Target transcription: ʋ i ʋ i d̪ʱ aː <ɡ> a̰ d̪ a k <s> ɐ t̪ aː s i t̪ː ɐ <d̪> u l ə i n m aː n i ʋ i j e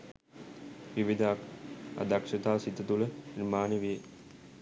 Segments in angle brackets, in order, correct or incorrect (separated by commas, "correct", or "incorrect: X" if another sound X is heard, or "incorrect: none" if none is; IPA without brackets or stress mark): incorrect: k, incorrect: ʂ, incorrect: t̪